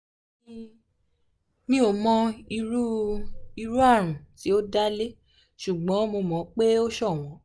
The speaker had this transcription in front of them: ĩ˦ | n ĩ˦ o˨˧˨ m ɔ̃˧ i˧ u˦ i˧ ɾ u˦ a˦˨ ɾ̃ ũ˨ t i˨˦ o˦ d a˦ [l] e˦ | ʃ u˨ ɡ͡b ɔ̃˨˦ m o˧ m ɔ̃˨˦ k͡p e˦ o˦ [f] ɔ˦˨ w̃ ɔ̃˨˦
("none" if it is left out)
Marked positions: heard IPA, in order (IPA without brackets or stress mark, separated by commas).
l, ʃ